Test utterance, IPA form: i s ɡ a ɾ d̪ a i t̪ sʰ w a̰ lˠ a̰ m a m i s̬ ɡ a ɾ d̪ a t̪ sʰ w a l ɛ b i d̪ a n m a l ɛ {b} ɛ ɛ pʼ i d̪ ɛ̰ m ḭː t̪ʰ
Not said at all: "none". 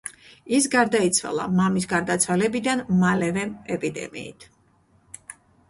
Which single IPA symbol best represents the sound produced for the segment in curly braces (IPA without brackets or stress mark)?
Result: v